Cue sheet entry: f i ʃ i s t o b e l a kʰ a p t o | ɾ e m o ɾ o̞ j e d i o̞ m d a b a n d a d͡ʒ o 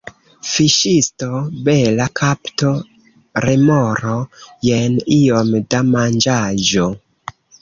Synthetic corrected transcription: f i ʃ i s t o b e l a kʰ a p t o | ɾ e m o ɾ o̞ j e n i o̞ m d a m a n d͡ʒ a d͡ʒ o